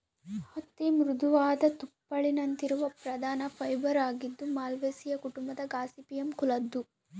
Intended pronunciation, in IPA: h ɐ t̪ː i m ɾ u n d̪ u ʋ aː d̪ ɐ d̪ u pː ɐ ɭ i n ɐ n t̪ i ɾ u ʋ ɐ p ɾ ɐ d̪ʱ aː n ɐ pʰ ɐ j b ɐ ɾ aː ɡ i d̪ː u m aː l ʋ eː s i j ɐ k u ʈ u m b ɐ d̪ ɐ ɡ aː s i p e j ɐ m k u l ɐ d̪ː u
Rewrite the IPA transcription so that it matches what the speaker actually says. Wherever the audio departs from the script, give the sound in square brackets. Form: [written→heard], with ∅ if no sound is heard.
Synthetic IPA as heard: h ɐ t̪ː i m ɾ u [n→∅] d̪ u ʋ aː d̪ ɐ [d̪→t̪] u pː ɐ ɭ i n ɐ n t̪ i ɾ u ʋ ɐ p ɾ ɐ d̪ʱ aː n ɐ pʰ ɐ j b ɐ ɾ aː ɡ i d̪ː u m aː l ʋ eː s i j ɐ k u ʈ u m b ɐ d̪ ɐ ɡ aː s i p [e→i] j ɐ m k u l ɐ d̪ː u